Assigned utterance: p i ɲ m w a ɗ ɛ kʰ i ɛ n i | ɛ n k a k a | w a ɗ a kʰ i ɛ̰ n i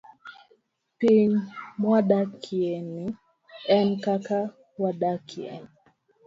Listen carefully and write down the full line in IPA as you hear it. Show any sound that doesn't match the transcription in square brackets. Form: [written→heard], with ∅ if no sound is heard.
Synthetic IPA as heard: p i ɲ m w a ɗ [ɛ→a] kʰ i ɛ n i | ɛ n k a k a | w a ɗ a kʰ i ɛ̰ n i